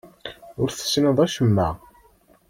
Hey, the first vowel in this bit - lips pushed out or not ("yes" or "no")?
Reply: yes